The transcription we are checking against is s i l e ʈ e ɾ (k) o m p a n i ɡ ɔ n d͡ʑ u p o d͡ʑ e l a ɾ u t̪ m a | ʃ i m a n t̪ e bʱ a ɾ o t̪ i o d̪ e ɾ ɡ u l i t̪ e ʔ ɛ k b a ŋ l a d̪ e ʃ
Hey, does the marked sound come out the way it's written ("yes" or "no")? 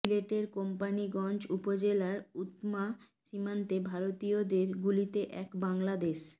yes